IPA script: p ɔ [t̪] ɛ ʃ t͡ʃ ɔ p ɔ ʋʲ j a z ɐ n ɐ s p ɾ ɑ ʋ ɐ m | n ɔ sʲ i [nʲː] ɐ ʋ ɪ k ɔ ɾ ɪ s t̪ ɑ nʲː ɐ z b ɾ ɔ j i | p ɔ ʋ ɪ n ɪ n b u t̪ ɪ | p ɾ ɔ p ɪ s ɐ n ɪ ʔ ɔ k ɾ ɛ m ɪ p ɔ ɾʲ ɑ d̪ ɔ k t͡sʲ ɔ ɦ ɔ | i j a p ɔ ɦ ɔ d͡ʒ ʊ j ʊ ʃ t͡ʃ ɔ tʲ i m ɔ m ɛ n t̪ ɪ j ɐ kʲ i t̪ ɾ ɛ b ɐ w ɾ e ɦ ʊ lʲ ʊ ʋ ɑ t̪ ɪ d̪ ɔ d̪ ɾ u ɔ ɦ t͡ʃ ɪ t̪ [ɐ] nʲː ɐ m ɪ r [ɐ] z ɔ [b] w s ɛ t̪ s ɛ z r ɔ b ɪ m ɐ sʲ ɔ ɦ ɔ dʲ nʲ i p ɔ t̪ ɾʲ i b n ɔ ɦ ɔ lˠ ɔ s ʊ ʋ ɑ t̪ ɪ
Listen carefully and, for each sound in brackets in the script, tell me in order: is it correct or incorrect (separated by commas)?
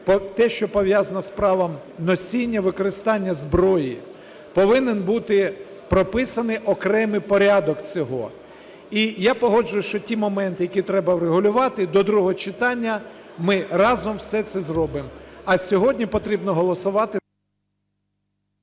correct, correct, incorrect, incorrect, incorrect